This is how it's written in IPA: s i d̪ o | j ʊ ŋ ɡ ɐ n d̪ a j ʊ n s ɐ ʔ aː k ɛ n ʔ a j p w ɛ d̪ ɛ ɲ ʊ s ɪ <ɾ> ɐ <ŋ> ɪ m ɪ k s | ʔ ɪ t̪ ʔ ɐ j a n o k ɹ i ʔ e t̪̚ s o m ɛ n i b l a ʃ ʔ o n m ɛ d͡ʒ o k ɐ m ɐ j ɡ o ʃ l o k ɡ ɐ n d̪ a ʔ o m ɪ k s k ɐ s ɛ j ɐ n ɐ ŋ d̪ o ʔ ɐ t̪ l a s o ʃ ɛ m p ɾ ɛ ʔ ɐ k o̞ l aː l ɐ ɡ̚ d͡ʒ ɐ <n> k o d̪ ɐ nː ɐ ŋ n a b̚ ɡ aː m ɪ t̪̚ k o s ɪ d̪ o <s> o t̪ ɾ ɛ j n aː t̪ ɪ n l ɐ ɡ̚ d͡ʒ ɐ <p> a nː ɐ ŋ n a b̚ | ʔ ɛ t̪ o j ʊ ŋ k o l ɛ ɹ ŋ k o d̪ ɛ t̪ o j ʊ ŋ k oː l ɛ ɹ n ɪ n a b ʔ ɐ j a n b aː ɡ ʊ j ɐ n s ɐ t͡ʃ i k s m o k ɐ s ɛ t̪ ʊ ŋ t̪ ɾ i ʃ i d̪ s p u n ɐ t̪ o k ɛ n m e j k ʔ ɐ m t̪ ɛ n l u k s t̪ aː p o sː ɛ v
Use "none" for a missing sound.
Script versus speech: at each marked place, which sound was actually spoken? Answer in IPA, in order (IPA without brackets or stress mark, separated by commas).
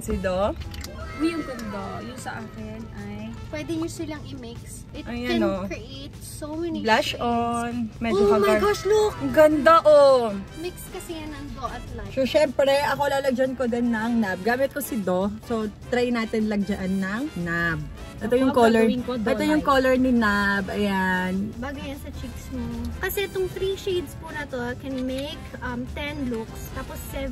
l, ŋ, n, s, ʔ